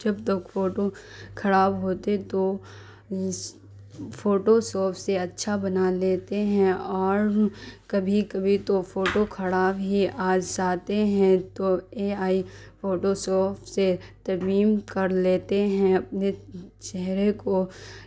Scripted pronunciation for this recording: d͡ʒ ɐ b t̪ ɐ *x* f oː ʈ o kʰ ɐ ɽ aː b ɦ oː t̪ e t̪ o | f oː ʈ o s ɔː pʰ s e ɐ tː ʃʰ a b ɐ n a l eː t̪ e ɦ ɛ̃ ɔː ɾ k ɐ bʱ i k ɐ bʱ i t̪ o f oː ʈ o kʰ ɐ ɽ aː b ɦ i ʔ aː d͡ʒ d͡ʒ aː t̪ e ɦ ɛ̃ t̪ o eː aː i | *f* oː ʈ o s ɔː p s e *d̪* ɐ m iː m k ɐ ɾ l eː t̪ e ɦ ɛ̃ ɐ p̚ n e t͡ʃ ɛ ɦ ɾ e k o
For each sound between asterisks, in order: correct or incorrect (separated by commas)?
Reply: incorrect, correct, incorrect